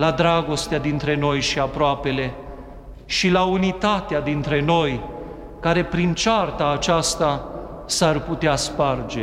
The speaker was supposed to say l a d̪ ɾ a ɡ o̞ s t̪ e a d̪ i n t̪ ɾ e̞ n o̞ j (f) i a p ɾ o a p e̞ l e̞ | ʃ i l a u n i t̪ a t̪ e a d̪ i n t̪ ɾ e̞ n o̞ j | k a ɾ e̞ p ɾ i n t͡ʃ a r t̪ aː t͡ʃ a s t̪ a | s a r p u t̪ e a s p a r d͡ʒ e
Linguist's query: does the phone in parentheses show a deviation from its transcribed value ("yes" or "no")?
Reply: yes